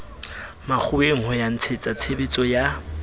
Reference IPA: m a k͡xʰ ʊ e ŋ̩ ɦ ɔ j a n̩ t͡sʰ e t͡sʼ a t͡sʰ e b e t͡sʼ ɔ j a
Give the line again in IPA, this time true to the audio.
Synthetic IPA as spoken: m a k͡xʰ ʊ e ŋ̩ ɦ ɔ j a n̩ t͡sʰ e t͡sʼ a t͡sʰ e b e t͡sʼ ɔ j a